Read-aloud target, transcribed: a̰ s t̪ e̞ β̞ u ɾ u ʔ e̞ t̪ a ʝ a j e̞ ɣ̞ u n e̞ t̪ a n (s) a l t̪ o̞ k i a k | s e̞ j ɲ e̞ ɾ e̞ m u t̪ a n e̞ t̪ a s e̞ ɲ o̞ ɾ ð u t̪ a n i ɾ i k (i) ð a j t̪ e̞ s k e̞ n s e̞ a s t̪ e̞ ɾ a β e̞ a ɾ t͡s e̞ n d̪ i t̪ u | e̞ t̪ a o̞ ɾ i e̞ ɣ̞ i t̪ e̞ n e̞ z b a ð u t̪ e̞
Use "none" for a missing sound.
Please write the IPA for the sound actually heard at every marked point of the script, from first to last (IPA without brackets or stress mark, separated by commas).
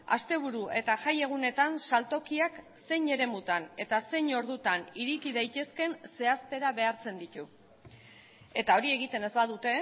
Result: s, i